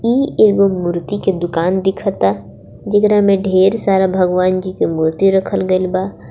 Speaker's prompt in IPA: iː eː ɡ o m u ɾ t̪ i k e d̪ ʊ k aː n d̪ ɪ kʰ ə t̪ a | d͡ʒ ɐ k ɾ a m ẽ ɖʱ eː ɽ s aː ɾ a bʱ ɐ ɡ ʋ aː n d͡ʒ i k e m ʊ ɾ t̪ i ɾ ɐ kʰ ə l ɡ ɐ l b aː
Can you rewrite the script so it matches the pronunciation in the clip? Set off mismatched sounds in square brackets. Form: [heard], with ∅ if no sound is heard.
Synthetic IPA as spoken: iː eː ɡ o m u ɾ t̪ i k e d̪ ʊ k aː n d̪ ɪ kʰ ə t̪ a | d͡ʒ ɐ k ɾ a m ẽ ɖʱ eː [ɾ] s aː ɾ a bʱ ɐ ɡ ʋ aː n d͡ʒ i k e m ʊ ɾ t̪ i ɾ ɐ kʰ ə l ɡ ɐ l b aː